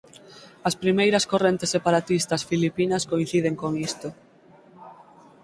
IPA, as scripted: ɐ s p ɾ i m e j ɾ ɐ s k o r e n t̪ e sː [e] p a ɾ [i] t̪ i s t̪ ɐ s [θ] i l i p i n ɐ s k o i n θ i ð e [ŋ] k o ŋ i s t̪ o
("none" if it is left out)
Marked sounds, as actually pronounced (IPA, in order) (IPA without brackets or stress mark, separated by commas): e, a, f, ŋ